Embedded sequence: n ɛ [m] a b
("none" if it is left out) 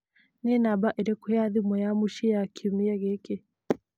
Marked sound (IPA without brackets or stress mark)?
n